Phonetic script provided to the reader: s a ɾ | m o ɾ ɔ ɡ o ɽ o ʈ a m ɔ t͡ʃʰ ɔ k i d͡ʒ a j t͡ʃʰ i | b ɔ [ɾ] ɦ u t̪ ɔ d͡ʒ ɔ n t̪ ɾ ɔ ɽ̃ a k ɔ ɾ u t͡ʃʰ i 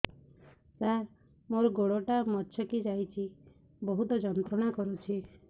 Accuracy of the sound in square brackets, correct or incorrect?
incorrect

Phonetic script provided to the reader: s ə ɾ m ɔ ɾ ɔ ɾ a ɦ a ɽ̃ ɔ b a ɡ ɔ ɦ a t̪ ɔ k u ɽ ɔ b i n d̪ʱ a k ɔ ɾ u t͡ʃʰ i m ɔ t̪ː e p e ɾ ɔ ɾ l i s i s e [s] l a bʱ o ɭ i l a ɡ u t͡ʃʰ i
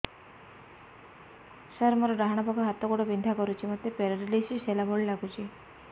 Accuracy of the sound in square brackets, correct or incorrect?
incorrect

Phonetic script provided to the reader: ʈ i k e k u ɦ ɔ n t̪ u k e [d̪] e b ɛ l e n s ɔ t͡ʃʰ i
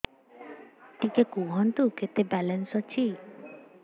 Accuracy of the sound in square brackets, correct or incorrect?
incorrect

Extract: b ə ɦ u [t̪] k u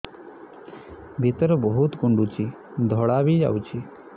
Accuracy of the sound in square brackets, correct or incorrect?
correct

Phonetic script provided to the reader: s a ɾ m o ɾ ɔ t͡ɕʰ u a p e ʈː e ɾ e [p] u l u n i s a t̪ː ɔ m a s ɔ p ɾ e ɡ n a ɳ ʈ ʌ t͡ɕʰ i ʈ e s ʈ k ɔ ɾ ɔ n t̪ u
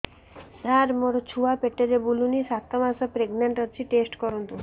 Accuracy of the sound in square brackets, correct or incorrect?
incorrect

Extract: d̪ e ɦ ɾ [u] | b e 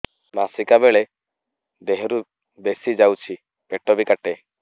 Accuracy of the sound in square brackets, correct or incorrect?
correct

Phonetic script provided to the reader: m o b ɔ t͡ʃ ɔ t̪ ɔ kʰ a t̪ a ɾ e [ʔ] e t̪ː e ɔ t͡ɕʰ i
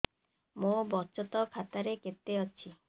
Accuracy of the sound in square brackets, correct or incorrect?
incorrect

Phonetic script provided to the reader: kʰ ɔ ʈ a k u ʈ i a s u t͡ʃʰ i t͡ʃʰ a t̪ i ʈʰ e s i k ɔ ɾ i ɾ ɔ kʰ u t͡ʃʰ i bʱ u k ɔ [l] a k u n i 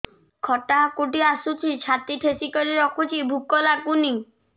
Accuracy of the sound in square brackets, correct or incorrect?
correct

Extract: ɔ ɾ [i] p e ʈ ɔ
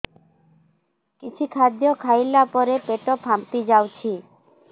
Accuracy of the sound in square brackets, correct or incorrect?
incorrect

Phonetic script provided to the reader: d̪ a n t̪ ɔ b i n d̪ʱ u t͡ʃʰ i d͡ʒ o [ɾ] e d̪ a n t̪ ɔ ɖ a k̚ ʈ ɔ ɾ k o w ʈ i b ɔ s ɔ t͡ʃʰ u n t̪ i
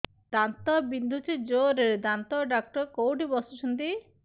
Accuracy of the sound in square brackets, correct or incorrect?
correct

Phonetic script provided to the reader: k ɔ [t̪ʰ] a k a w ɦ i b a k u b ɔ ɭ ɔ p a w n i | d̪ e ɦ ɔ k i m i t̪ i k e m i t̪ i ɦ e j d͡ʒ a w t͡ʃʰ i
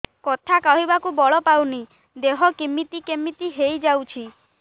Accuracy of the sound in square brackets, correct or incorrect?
correct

